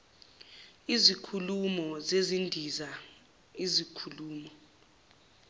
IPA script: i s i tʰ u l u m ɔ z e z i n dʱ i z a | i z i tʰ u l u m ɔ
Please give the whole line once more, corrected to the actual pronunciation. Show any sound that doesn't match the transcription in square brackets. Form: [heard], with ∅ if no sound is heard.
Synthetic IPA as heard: i [z] i [kʰ] u l u m ɔ z e z i n dʱ i z a | i z i [kʰ] u l [uː] m ɔ